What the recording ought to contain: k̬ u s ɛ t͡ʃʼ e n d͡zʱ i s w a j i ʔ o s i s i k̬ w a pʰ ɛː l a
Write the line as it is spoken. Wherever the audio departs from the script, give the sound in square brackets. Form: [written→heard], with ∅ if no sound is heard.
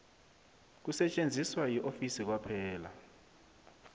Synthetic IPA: k̬ u s ɛ t͡ʃʼ e n d͡zʱ i s w a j i ʔ o [s→f] i s i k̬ w a pʰ ɛː l a